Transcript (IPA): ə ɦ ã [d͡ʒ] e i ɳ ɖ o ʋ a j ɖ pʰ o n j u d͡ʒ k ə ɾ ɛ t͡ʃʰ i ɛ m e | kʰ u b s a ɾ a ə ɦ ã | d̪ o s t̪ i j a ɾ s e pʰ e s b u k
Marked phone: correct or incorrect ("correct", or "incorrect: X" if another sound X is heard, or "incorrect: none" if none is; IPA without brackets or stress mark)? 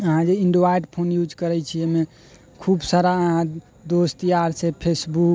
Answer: correct